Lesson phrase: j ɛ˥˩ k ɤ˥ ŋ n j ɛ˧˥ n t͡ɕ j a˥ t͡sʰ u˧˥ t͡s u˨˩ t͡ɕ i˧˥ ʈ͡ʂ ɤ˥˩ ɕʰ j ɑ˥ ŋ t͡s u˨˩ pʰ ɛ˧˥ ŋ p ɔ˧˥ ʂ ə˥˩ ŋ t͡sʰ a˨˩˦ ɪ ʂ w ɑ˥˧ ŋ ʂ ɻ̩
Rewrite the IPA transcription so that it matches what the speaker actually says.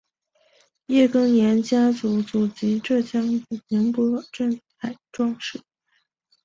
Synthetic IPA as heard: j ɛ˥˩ k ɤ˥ ŋ n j ɛ˧˥ n t͡ɕ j a˥ t͡s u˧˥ t͡s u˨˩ t͡ɕ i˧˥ ʈ͡ʂ ɤ˥˩ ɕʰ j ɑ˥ ŋ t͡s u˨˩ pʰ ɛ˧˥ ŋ p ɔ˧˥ ʈ͡ʂ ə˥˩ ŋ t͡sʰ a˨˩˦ ɪ ʈ͡ʂ w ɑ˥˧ ŋ ʂ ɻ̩